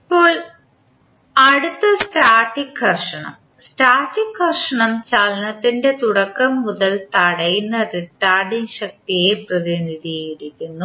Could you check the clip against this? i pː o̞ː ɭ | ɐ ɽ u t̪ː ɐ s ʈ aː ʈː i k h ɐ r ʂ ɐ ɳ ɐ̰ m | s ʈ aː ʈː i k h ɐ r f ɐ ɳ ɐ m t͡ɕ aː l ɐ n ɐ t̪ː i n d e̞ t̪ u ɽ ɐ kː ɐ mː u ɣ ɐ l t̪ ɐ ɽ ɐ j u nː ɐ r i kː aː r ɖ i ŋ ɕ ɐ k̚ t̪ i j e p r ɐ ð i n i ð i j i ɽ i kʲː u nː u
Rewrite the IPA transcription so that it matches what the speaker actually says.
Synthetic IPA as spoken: i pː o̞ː ɭ | ɐ ɽ u t̪ː ɐ s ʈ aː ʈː i k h ɐ r ʂ ɐ ɳ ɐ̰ m | s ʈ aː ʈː i k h ɐ r ʂ ɐ ɳ ɐ m t͡ɕ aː l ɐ n ɐ t̪ː i n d e̞ t̪ u ɽ ɐ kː ɐ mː u ð ɐ l t̪ ɐ ɽ ɐ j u nː ɐ r i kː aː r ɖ i ŋ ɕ ɐ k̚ t̪ i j e p r ɐ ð i n i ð i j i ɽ i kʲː u nː u